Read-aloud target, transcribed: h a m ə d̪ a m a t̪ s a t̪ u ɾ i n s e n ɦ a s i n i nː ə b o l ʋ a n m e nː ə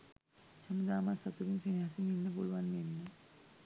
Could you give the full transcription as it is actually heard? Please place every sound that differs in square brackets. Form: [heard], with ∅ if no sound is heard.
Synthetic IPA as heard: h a m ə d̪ a m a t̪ s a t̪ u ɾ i n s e n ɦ a s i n i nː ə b o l ʋ a n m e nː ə

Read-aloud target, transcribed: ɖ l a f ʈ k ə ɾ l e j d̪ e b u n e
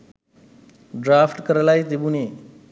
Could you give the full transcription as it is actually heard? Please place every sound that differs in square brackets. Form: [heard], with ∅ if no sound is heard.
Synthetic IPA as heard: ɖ [ɾ] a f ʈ k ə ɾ l [a] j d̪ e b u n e

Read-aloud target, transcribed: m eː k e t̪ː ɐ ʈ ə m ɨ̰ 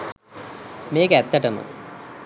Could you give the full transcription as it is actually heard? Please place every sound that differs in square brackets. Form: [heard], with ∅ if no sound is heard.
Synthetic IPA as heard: m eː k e t̪ː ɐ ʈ [ɐ] m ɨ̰

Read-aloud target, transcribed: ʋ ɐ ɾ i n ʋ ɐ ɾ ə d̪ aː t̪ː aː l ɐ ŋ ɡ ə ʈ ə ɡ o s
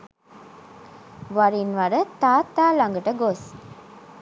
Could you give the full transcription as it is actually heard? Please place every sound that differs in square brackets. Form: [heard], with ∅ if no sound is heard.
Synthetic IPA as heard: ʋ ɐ ɾ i n ʋ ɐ ɾ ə [t̪] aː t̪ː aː l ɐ ŋ ɡ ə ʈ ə ɡ o s

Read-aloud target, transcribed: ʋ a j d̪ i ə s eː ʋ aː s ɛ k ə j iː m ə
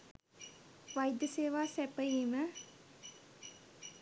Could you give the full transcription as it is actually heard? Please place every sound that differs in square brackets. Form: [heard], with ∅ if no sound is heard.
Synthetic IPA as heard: ʋ a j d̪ [j] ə s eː ʋ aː s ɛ [p] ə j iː m ə

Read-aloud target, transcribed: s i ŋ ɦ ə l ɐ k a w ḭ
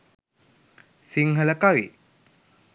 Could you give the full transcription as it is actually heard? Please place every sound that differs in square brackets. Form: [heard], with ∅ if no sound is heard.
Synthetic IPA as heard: s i ŋ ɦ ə l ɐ k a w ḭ

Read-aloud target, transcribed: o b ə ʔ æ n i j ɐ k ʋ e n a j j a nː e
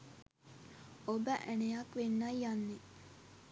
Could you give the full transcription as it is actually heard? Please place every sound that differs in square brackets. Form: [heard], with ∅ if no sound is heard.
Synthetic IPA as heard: o b ə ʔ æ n [e] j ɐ k ʋ e [nː] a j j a nː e

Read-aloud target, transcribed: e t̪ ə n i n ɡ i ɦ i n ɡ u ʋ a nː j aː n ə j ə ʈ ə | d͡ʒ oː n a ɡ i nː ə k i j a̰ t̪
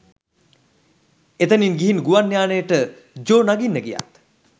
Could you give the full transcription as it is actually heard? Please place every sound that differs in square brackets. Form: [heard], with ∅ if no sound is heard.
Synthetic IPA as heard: e t̪ ə n i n ɡ i ɦ i n ɡ u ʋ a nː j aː n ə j ə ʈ ə | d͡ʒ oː n a ɡ i nː ə [ɡ] i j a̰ t̪

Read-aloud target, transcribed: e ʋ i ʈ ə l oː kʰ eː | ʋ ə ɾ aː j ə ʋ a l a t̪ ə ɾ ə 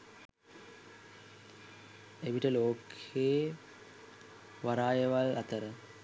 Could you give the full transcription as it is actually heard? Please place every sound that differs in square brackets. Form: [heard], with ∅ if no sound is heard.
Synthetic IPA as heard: e ʋ i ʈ ə l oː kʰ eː | ʋ [a] ɾ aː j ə ʋ a l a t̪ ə ɾ ə

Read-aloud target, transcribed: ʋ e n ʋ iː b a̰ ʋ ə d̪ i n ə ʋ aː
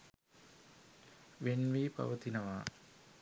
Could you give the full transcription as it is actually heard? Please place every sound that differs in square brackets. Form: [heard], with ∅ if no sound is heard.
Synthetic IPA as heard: ʋ e n ʋ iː [p] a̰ ʋ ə [t̪] i n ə ʋ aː

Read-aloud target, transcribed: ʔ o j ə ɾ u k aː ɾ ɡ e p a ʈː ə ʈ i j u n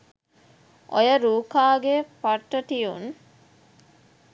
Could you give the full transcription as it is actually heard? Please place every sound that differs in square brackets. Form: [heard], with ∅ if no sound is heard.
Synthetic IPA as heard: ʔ o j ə ɾ [uː] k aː [∅] ɡ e p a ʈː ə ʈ i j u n

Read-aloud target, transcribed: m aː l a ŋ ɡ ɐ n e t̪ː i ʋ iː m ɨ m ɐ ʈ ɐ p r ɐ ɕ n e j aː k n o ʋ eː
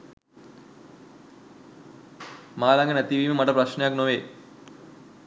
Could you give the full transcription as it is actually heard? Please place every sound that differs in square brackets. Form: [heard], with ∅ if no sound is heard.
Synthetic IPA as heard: m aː l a ŋ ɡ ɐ n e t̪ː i ʋ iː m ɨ m ɐ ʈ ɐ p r ɐ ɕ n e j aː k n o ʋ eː

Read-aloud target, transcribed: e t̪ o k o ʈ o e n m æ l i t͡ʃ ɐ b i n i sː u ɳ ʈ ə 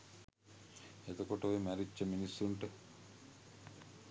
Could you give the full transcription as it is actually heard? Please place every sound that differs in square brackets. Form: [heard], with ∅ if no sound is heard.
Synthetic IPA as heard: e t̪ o k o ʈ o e [∅] m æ [ɾ] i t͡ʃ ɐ [m] i n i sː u ɳ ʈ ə

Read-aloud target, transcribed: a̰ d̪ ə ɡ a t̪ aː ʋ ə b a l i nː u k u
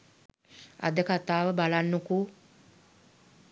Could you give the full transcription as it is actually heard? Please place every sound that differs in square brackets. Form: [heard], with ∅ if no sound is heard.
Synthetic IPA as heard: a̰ d̪ ə [k] a t̪ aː ʋ ə b a l [a] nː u k u

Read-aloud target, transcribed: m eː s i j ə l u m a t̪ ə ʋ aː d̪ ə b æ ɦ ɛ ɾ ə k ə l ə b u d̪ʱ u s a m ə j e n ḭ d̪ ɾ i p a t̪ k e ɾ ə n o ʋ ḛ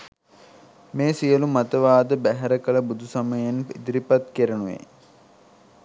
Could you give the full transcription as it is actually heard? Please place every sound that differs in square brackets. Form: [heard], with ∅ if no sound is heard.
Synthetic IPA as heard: m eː s i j ə l u m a t̪ ə ʋ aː d̪ ə b æ ɦ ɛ ɾ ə k ə l ə b u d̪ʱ u s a m ə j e n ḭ d̪ ɾ i p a t̪ k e ɾ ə n [u] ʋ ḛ

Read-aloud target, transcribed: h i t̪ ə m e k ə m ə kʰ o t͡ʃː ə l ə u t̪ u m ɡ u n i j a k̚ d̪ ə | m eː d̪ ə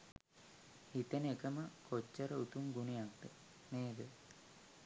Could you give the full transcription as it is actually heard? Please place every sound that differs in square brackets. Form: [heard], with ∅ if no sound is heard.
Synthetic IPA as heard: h i t̪ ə [n] e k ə m ə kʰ o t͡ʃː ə [ɾ] ə u t̪ u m ɡ u n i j a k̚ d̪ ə | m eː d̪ ə

